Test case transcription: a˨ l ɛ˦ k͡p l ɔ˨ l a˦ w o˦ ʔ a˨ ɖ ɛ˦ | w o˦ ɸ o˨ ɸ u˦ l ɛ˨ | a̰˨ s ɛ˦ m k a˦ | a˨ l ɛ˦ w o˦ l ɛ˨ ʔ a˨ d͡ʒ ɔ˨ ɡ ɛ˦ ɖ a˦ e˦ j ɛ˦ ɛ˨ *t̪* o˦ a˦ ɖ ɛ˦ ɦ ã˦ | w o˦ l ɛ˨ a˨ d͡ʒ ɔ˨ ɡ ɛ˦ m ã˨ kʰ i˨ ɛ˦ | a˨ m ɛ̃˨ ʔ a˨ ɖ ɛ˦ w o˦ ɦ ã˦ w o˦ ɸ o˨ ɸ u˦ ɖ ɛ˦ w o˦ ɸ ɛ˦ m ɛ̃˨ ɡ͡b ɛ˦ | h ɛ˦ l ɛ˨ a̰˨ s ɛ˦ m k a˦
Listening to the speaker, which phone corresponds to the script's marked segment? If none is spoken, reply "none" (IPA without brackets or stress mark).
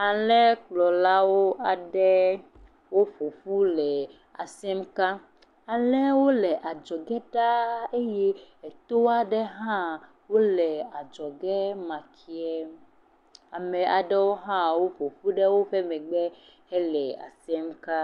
t̪